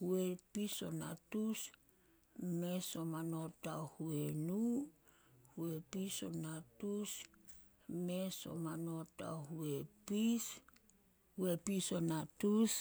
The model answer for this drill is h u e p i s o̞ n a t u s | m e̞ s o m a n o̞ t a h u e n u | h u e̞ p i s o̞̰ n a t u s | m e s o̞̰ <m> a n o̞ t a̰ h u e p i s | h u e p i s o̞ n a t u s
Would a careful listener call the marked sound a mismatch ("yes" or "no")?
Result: no